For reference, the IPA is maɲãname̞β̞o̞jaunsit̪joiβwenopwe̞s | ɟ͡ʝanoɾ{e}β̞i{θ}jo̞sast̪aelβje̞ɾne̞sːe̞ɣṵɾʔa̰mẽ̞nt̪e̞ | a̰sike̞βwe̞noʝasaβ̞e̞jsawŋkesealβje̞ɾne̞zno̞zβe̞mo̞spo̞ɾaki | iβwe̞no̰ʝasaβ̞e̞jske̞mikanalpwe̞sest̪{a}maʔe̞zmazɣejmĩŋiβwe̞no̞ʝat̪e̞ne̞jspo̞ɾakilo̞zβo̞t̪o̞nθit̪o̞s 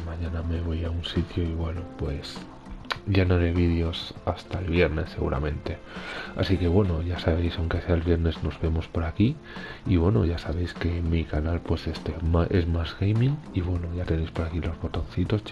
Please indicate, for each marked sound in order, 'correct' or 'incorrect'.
correct, incorrect: ð, incorrect: e

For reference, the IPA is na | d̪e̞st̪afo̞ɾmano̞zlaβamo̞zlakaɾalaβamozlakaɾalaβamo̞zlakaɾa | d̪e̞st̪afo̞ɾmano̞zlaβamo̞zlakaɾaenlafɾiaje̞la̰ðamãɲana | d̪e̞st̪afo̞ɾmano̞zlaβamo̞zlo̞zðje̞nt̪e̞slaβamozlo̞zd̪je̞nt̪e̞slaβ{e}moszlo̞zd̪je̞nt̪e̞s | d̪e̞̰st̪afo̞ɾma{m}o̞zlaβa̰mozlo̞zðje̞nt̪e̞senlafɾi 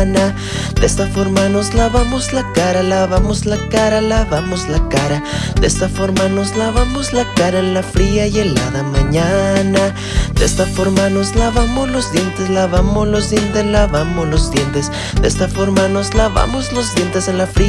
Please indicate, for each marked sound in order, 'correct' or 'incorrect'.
incorrect: a, incorrect: n

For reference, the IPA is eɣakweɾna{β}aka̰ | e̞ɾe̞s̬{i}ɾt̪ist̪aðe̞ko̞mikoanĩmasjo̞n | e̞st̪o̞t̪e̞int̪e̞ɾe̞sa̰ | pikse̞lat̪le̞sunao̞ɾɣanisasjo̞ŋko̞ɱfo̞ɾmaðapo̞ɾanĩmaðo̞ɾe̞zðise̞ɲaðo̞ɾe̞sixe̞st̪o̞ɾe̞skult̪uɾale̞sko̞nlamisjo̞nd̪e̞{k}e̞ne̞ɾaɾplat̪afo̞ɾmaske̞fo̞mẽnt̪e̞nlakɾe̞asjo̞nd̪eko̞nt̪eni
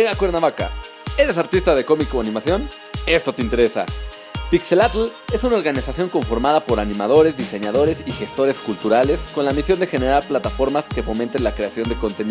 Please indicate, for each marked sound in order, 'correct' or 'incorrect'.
correct, incorrect: a, incorrect: x

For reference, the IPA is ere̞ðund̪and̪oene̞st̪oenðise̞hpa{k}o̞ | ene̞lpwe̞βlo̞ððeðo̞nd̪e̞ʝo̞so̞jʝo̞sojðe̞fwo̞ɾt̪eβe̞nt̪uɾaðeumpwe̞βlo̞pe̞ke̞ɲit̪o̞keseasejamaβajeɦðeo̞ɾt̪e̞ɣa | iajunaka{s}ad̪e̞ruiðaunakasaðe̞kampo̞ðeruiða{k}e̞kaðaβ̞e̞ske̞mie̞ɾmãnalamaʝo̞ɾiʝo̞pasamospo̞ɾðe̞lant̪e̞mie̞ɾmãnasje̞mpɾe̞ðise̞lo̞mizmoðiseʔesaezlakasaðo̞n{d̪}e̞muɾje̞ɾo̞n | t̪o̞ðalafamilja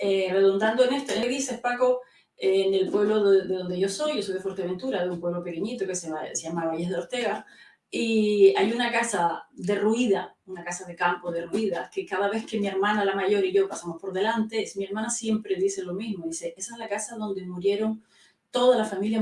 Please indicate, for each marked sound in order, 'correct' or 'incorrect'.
correct, correct, correct, correct

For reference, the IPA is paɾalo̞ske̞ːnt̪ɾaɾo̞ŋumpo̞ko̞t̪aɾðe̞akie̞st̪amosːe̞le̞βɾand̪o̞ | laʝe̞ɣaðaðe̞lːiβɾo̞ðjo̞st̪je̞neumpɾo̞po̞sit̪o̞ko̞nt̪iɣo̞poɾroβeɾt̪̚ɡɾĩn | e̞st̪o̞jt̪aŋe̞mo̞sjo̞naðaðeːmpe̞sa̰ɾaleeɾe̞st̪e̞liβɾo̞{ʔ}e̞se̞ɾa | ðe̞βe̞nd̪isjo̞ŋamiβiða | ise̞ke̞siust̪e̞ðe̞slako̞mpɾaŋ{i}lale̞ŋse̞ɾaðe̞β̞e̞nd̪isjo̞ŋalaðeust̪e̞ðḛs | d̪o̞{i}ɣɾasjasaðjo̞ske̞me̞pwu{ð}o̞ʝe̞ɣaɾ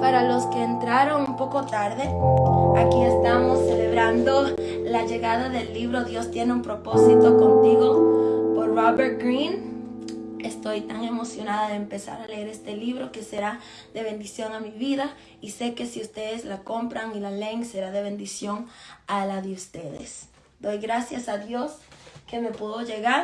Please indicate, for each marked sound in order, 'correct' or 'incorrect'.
incorrect: k, correct, incorrect: j, correct

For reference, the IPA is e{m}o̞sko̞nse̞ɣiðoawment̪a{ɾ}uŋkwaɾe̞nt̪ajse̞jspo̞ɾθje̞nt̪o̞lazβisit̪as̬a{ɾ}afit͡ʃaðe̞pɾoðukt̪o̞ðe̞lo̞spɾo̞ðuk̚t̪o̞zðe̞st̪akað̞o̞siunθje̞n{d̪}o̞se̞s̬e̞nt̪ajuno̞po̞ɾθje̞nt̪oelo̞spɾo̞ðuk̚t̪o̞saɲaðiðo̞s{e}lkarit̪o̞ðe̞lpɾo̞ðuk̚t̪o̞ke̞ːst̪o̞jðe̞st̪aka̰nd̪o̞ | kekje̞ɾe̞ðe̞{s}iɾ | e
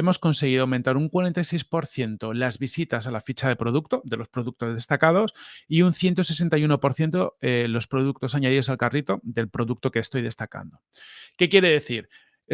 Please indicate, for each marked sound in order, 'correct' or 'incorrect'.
correct, correct, incorrect: l, incorrect: t̪, incorrect: a, incorrect: θ

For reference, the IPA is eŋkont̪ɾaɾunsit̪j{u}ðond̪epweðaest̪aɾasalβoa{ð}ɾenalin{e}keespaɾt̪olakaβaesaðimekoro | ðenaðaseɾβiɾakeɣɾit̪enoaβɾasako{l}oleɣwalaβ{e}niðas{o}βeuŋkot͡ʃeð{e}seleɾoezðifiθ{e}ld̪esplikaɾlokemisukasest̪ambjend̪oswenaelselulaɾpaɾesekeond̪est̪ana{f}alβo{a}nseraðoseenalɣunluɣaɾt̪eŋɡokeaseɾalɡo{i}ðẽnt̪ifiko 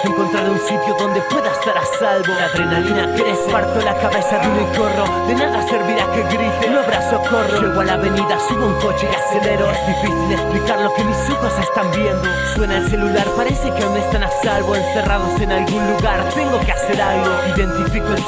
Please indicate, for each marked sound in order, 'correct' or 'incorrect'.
incorrect: o, correct, incorrect: a, incorrect: r, correct, incorrect: u, incorrect: a, incorrect: i, incorrect: s, incorrect: e, correct

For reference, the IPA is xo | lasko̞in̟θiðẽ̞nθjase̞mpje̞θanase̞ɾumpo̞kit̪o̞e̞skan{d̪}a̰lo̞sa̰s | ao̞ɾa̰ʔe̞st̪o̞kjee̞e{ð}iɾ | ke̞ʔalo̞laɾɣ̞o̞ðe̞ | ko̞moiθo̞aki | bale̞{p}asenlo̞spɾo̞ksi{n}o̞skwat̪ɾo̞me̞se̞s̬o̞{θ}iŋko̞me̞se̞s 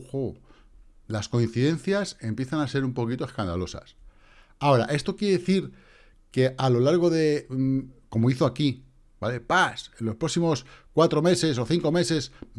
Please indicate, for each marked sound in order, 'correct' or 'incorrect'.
correct, incorrect: θ, correct, incorrect: m, correct

